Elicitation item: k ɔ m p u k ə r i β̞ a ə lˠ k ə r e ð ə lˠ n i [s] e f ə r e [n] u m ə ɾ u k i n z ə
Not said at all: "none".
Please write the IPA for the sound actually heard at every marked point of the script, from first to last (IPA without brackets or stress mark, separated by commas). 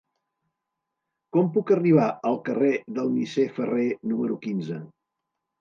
s, n